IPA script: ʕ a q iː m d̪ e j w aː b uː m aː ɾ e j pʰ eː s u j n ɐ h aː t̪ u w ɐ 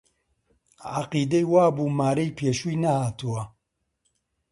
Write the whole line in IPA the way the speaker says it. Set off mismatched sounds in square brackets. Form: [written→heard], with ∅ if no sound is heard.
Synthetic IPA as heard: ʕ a q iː [m→∅] d̪ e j w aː b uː m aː ɾ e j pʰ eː [s→ʃ] u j n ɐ h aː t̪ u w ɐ